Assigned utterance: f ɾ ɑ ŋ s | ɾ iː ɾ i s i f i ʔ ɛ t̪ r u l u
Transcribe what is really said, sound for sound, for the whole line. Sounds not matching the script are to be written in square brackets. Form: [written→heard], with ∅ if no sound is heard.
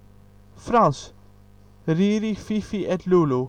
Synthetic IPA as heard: f ɾ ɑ [ŋ→n] s | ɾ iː ɾ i [s→f] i f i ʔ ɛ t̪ [r→l] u l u